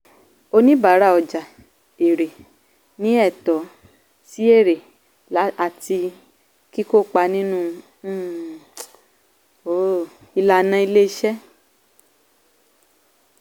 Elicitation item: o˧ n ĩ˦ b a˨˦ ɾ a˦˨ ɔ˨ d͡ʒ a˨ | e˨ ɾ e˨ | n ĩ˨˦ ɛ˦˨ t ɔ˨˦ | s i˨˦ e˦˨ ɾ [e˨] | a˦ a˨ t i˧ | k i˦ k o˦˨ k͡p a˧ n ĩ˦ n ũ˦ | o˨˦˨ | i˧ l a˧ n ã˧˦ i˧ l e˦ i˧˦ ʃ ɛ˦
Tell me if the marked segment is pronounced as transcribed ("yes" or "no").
yes